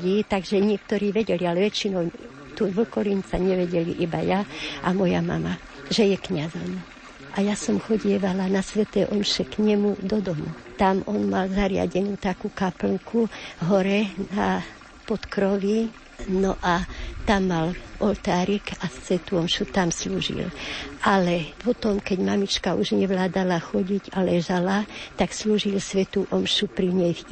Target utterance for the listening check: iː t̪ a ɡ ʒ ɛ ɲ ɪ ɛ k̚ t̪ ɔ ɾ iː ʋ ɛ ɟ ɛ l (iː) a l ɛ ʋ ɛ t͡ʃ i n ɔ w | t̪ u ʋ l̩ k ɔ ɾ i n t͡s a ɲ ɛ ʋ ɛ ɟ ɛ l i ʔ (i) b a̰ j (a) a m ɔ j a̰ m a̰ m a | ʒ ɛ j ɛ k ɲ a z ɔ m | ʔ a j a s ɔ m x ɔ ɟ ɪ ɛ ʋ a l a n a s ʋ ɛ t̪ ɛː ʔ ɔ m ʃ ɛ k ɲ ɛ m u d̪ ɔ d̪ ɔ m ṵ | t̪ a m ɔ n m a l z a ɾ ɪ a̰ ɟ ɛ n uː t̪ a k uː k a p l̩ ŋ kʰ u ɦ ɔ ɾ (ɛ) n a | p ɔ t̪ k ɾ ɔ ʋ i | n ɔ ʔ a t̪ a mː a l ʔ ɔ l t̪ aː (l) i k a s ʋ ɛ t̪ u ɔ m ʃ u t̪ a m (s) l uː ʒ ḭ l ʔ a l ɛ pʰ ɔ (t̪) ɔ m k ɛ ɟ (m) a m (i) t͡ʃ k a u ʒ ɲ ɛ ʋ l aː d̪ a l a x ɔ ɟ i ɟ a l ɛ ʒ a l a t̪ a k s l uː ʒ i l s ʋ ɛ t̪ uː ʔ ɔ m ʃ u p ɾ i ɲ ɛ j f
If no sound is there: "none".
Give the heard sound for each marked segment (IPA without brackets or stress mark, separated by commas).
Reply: i, i, a, ɛ, ɾ, s, t̪, m, i